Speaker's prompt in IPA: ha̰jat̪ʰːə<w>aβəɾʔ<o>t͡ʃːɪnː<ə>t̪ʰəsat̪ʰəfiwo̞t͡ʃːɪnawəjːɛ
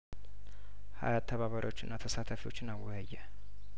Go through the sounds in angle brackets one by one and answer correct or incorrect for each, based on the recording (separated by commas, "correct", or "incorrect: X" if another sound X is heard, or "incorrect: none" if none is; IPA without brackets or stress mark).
incorrect: β, correct, incorrect: a